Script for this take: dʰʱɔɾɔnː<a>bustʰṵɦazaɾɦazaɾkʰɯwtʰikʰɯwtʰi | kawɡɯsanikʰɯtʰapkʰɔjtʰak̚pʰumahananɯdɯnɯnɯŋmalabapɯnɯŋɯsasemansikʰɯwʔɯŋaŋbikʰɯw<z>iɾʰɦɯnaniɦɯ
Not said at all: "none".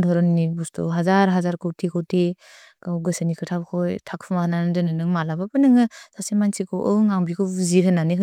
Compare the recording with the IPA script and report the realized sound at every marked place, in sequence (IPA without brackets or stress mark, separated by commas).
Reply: i, z